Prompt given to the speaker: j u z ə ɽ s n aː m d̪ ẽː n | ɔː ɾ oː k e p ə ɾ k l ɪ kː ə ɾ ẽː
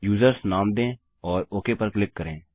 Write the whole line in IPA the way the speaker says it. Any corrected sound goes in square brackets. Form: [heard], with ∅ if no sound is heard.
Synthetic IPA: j [uː] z ə [ɾ] s n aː m d̪ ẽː [∅] | ɔː ɾ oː k e p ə ɾ k l ɪ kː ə ɾ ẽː